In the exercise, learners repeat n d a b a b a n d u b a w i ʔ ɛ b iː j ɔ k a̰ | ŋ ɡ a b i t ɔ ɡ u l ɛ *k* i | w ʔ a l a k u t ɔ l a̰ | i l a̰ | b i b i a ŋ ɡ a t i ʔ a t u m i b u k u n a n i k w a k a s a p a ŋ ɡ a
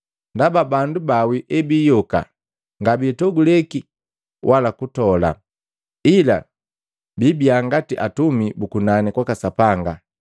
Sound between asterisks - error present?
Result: no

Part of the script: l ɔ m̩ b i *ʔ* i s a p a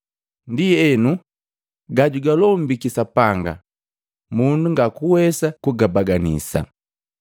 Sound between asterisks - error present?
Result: yes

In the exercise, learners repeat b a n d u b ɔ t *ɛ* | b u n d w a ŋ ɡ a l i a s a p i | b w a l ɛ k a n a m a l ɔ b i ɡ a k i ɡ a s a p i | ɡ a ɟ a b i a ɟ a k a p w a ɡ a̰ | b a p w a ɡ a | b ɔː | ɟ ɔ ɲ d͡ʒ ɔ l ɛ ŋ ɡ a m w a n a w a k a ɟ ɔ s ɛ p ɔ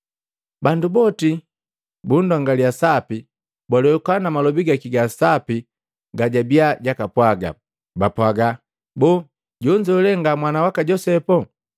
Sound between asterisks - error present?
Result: yes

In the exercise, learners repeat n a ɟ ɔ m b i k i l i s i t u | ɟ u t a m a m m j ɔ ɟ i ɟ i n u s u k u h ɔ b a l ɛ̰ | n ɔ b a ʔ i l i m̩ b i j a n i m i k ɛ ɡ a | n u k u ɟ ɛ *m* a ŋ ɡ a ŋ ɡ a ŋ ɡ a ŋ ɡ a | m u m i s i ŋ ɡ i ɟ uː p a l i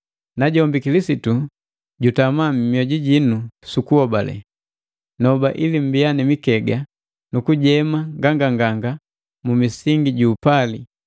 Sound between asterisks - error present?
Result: no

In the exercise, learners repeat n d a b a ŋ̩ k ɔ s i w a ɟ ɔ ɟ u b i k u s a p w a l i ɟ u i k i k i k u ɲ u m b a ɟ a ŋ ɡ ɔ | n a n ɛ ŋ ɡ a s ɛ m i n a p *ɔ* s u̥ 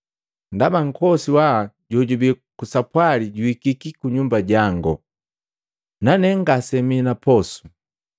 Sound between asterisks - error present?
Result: no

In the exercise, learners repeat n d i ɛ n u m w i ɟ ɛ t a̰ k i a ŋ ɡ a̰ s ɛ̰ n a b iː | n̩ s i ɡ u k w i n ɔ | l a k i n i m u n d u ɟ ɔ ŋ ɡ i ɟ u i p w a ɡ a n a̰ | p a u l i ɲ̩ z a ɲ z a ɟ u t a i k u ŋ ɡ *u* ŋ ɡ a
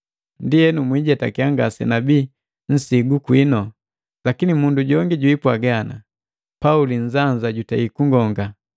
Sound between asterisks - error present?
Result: yes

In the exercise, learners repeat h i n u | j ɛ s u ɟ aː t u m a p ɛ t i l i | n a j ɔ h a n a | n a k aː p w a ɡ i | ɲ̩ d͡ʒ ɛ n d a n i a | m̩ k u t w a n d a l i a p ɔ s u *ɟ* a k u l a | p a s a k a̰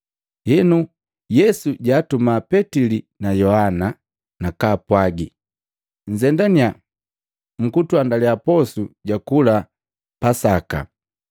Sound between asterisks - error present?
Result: no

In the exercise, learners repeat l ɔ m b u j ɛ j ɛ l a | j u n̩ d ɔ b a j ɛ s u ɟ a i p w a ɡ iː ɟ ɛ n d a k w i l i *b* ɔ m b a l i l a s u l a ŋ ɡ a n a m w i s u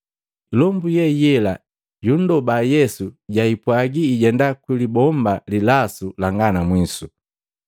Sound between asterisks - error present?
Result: no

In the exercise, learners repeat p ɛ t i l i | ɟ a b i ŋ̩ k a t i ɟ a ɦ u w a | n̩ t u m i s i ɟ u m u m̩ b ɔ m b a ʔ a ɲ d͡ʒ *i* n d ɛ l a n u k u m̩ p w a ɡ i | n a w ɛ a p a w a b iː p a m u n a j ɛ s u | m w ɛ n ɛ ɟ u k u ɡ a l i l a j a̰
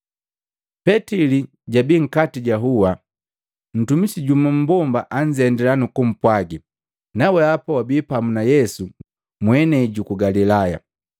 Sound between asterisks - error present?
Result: yes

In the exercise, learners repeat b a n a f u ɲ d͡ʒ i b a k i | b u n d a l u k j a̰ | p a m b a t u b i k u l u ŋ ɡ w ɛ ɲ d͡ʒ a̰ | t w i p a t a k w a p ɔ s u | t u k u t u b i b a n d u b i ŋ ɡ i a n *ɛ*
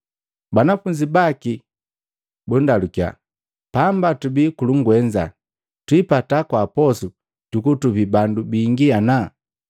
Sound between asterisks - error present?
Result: yes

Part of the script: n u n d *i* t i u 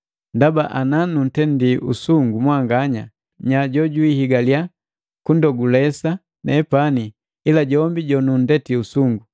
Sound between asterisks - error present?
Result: yes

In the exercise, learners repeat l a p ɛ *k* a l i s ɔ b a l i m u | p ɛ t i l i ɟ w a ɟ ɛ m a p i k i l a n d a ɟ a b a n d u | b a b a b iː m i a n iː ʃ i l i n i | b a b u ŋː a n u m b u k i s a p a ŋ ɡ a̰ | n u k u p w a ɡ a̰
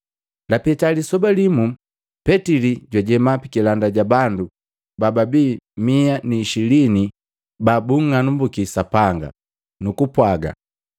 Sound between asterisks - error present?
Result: yes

